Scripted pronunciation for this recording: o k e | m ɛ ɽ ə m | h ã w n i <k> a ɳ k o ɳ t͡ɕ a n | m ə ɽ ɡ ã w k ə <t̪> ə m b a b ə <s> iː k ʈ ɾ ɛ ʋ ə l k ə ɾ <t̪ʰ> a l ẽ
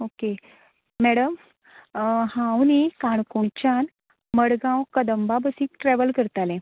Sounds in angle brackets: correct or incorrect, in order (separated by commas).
correct, incorrect, correct, incorrect